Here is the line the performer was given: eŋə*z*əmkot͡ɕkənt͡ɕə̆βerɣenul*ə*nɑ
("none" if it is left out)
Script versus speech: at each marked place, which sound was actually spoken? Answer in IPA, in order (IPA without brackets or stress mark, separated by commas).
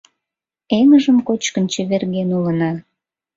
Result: ʒ, ə